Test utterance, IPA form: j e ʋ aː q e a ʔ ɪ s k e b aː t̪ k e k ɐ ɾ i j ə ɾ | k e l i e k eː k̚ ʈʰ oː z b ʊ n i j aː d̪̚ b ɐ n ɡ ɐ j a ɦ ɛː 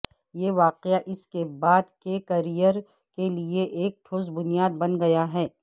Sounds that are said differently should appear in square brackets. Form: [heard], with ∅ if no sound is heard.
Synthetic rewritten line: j e ʋ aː q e a ʔ ɪ s k e b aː [d̪] k e k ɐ ɾ i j ə ɾ | k e l i e [ʔ] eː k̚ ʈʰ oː z b ʊ n i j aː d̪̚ b ɐ n ɡ ɐ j a ɦ ɛː